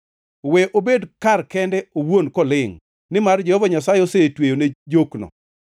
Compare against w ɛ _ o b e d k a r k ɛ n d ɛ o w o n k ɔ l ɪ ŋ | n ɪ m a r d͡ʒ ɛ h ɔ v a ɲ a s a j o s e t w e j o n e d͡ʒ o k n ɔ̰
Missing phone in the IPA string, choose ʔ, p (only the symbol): ʔ